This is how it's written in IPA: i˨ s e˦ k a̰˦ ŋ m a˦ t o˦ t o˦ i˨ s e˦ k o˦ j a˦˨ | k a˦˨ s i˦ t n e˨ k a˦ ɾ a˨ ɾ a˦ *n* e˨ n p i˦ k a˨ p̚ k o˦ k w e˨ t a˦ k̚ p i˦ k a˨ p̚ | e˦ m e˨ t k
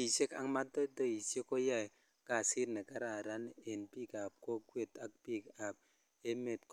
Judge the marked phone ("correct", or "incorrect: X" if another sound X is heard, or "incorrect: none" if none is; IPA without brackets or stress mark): correct